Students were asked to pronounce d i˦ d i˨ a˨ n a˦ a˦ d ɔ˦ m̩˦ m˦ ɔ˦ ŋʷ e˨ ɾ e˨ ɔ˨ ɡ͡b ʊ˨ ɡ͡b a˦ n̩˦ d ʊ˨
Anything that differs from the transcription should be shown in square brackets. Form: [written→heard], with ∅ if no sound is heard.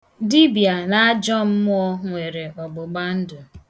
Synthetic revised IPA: d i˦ [d→b] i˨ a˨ n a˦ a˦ [d→d͡ʒ] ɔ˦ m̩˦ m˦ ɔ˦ ŋʷ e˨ ɾ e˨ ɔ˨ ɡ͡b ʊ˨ ɡ͡b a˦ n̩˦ d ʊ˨